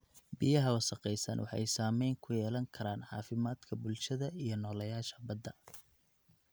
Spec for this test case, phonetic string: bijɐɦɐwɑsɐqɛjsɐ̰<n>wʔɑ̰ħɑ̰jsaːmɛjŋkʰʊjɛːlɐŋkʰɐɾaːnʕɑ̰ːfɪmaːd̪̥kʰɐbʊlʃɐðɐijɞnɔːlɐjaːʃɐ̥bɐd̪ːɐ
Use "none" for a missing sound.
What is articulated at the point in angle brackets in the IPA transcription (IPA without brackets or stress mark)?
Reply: n